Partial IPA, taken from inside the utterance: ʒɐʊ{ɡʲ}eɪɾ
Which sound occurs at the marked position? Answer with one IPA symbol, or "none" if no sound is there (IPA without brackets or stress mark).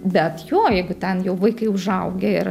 ɡʲ